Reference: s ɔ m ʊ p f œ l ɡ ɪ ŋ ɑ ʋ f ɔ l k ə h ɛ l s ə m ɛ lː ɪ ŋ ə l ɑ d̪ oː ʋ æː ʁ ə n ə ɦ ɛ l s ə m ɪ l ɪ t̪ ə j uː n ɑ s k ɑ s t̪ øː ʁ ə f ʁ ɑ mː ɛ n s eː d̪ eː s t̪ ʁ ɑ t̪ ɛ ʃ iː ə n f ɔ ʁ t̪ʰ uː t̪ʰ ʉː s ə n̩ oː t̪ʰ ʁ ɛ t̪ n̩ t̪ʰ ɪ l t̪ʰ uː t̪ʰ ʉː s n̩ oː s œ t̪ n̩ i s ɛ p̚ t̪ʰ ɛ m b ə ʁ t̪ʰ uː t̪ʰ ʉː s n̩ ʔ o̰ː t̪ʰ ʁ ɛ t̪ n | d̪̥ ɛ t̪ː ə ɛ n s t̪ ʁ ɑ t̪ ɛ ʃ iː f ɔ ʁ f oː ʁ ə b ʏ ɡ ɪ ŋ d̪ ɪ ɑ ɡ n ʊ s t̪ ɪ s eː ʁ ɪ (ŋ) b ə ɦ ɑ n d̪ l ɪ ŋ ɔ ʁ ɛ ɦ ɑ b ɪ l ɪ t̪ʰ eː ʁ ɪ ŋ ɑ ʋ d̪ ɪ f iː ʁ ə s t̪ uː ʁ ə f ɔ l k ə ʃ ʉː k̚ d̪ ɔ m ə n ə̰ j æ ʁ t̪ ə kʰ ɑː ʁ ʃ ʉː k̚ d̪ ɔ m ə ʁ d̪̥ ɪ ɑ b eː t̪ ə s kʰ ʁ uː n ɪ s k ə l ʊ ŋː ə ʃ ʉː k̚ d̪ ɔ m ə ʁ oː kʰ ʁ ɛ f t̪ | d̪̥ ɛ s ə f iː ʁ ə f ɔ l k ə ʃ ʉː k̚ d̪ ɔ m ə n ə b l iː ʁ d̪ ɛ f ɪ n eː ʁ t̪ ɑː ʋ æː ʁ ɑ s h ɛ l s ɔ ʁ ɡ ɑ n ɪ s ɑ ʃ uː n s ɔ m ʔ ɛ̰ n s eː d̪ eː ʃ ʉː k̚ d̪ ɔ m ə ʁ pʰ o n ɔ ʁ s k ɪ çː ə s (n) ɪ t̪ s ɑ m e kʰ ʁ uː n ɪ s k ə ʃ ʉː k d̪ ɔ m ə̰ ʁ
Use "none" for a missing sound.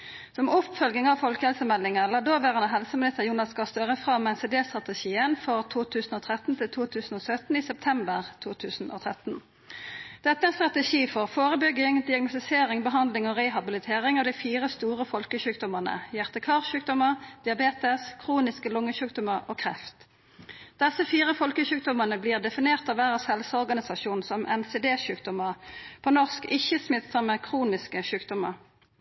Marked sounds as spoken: ŋ, m

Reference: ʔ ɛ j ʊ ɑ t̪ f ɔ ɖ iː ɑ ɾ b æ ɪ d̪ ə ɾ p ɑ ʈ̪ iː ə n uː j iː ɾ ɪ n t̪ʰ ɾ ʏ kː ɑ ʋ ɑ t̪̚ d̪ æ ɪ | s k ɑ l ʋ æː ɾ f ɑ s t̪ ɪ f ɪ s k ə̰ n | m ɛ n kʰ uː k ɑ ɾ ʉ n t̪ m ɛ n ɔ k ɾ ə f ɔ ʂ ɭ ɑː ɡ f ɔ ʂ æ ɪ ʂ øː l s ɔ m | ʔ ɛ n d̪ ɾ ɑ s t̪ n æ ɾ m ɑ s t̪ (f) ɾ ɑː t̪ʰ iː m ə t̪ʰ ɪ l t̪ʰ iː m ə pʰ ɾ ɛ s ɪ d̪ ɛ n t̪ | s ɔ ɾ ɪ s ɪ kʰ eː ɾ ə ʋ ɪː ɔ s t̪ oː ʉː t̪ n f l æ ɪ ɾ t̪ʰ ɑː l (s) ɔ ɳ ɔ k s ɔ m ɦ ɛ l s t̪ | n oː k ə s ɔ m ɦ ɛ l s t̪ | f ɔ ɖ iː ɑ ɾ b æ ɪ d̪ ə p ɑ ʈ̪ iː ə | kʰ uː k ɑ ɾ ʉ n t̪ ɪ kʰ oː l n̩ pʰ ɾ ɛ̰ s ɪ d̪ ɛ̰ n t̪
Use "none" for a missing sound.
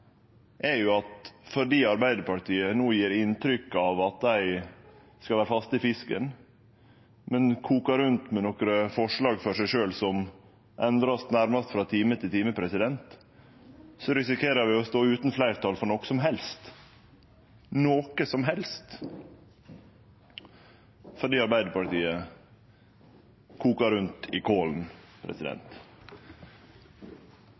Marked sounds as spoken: f, f

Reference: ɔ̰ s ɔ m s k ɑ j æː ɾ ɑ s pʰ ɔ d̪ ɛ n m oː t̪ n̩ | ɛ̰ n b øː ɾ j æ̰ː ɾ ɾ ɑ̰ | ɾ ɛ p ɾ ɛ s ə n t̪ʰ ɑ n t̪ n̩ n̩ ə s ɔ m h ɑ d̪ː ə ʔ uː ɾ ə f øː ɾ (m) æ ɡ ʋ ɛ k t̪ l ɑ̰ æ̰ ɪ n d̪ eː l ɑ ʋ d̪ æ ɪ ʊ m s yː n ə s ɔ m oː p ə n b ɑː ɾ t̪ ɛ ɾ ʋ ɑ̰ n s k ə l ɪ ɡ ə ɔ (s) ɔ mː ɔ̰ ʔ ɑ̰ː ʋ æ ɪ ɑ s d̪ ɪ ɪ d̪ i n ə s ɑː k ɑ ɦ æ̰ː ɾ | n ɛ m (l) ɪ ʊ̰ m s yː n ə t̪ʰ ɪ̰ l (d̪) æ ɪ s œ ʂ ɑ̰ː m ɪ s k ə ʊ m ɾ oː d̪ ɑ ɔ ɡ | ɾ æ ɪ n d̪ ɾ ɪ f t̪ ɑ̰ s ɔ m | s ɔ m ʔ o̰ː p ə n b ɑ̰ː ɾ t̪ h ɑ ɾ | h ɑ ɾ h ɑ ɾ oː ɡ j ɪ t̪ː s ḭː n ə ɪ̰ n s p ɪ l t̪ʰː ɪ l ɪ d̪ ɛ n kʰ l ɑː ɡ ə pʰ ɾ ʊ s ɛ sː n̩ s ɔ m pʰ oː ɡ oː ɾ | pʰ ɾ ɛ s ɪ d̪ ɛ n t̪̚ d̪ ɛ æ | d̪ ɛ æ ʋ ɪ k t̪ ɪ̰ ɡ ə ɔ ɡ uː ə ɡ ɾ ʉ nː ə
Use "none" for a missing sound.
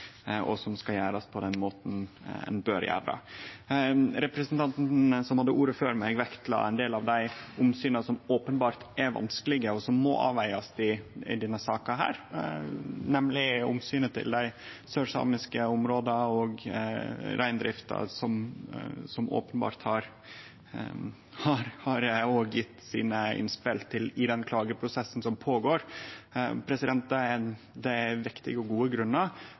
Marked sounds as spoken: m, s, l, d̪

